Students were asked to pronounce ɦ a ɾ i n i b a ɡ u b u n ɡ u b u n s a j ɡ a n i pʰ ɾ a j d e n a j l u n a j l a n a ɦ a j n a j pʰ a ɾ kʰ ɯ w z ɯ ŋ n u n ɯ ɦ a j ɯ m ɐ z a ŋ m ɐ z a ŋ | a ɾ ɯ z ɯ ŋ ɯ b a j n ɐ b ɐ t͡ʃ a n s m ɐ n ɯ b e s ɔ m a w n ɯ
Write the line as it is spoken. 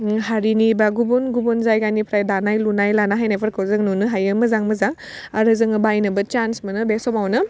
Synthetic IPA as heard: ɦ a ɾ i n i b a ɡ u b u n ɡ u b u n z a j ɡ a n i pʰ ɾ a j d a n a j l u n a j l a n a ɦ a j n a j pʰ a ɾ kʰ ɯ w z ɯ ŋ n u n ɯ ɦ a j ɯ m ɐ z a ŋ m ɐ z a ŋ | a ɾ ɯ z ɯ ŋ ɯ b a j n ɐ b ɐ t͡ʃ a n s m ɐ n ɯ b e s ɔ m a w n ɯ